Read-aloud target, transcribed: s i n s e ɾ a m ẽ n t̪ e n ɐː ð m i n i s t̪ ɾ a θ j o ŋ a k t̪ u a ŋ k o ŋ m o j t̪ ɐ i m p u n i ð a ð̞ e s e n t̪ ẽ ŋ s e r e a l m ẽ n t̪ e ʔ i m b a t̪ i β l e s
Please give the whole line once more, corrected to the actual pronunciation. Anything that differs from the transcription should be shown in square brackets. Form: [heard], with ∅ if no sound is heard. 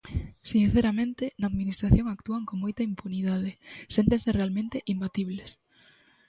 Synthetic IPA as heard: s i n [θ] e ɾ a m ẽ n t̪ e n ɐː ð m i n i s t̪ ɾ a θ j o ŋ a k t̪ u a ŋ k o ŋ m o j t̪ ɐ i m p u n i ð a ð̞ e s e n t̪ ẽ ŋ s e r e a l m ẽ n t̪ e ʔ i m b a t̪ i β l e s